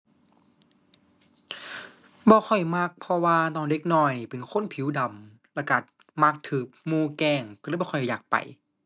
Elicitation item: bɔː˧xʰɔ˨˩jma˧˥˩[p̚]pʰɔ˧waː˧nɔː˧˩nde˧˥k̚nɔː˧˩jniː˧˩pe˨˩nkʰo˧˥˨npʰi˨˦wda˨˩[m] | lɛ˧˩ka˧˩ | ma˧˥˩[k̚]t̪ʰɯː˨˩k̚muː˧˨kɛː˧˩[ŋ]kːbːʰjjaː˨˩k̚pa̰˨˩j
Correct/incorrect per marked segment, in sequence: incorrect, correct, correct, correct

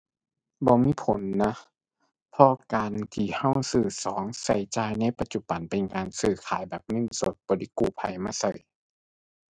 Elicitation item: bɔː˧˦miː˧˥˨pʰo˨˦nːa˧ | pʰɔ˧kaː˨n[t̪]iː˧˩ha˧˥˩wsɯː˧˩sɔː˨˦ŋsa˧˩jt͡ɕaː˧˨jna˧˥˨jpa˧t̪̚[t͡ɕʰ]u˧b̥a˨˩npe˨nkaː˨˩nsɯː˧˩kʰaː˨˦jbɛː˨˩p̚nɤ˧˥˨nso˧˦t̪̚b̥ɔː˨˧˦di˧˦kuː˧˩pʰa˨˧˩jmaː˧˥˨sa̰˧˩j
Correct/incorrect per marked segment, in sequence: incorrect, incorrect

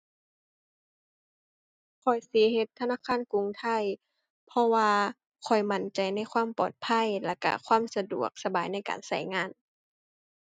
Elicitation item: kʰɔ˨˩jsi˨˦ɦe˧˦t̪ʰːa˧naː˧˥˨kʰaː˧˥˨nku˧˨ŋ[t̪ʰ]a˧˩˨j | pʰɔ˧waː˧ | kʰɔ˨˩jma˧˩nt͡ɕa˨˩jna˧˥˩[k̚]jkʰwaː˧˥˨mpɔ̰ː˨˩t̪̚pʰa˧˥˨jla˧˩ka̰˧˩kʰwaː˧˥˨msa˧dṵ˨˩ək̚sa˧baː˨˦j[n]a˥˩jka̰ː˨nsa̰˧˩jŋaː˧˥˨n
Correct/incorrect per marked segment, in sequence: correct, incorrect, correct

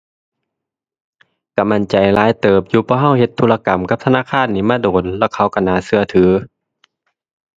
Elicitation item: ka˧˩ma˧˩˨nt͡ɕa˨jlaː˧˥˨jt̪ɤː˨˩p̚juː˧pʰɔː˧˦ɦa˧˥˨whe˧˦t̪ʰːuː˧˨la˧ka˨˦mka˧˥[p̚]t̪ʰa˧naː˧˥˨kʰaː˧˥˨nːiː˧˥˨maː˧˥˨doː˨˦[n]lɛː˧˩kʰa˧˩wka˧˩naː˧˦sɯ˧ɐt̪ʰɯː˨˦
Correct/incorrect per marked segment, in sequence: correct, correct

